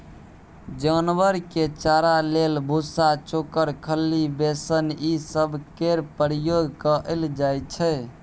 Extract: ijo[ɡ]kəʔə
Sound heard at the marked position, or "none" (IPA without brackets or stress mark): ɡ